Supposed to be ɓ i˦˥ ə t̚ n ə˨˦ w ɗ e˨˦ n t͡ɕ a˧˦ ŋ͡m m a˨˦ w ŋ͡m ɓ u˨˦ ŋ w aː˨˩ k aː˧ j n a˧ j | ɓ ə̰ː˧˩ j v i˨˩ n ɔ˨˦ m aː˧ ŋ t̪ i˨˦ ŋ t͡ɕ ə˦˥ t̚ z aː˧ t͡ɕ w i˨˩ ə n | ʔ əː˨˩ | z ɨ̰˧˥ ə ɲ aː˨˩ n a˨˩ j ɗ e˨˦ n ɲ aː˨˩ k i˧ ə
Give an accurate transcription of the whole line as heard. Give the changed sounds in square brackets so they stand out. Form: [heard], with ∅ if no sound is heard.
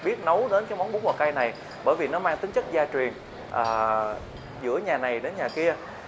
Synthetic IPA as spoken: ɓ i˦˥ ə t̚ n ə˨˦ w ɗ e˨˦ n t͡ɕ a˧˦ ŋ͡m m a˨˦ w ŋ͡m ɓ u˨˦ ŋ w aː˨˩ k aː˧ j n [a˨˩] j | ɓ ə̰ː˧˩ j v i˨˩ n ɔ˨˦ m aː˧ ŋ t̪ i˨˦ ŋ t͡ɕ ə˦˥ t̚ z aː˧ t͡ɕ w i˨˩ ə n | ʔ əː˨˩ | z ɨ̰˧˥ ə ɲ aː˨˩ n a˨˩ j ɗ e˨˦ n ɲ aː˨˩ k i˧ ə